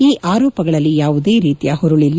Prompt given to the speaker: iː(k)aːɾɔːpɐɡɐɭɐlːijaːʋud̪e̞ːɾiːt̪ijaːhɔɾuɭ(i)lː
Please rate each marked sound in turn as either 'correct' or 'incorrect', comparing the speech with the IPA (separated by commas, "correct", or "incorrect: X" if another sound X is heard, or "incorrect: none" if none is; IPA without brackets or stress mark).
incorrect: ʔ, correct